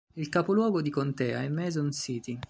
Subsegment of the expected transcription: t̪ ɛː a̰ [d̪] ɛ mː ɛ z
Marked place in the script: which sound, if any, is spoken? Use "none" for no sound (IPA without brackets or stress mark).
none